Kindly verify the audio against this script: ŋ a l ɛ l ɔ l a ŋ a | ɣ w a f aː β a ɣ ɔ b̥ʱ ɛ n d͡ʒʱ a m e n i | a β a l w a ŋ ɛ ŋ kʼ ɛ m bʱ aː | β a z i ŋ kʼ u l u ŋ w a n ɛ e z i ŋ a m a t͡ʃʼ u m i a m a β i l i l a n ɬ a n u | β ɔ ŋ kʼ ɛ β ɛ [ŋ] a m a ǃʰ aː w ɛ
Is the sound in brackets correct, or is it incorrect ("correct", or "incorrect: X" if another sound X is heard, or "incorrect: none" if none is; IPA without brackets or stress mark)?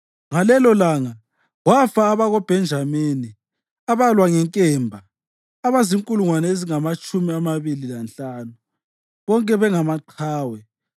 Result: correct